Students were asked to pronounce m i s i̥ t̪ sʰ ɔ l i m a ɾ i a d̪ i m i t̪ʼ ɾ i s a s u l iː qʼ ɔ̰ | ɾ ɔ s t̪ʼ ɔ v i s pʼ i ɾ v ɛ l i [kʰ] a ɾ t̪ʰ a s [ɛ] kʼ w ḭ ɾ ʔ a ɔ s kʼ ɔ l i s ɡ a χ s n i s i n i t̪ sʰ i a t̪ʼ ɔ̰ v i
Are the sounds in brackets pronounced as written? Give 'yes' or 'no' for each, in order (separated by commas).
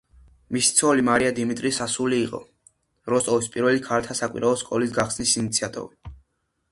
yes, no